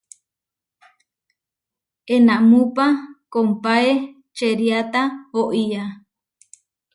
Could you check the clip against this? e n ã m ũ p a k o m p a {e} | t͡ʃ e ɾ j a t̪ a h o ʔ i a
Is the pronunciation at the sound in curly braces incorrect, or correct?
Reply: correct